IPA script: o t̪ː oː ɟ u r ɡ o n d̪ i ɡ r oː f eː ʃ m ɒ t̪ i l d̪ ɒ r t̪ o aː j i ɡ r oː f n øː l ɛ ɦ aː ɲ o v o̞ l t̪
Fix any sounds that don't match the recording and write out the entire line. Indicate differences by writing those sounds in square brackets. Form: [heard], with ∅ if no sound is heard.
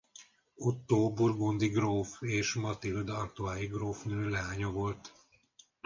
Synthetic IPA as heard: o t̪ː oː [b] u r ɡ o n d̪ i ɡ r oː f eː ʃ m ɒ t̪ i l d̪ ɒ r t̪ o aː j i ɡ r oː f n øː l ɛ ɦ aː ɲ o v o̞ l t̪